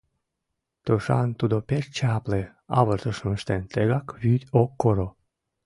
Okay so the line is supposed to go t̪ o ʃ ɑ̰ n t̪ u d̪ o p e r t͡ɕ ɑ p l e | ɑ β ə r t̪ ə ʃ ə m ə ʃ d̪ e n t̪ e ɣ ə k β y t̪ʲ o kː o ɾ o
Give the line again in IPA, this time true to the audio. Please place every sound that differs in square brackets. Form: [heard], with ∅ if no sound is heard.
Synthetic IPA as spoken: t̪ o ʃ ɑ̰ n t̪ u d̪ o p e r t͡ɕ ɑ p l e | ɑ β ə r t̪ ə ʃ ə m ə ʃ [t̪] e n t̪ e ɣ [ɑ] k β y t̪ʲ o kː o ɾ o